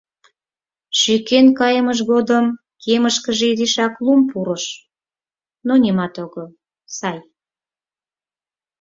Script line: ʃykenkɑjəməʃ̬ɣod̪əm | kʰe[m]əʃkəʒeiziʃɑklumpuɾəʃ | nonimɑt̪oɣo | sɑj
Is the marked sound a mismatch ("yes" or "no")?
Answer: no